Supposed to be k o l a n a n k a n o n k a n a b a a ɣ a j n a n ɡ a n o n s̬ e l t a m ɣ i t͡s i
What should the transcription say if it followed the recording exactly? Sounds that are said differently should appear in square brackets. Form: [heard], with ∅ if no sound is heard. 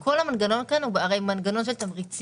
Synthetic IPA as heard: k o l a [m] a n [ɡ] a n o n k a n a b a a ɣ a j [m] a n ɡ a n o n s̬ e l t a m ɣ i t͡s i